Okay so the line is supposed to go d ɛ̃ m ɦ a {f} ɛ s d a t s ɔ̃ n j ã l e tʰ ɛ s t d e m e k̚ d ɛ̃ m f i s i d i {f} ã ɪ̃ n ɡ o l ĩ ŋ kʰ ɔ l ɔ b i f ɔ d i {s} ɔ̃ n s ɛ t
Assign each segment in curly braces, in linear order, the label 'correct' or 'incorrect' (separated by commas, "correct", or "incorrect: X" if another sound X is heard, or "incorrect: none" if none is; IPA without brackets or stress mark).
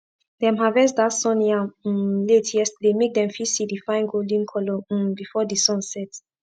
incorrect: v, correct, correct